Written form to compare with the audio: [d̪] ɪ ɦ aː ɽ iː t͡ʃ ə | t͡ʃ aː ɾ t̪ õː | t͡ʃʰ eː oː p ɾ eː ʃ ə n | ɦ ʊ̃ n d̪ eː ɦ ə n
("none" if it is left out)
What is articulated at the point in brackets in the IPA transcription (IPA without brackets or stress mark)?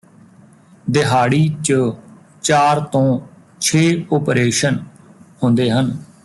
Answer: d̪